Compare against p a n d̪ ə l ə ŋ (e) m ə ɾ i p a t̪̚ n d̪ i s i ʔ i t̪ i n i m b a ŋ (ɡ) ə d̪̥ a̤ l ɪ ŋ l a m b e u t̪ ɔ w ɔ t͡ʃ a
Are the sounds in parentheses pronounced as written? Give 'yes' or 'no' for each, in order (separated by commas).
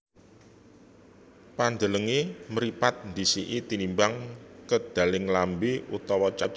yes, no